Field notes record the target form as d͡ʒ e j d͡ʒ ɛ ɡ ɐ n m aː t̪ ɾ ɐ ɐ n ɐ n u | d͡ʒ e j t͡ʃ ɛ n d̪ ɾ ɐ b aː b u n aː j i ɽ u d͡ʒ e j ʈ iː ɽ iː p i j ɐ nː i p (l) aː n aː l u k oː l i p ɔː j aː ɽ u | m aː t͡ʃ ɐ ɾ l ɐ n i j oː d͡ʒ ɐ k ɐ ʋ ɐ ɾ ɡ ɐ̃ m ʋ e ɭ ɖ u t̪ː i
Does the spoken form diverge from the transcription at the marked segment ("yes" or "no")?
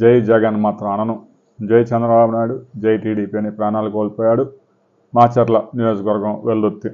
yes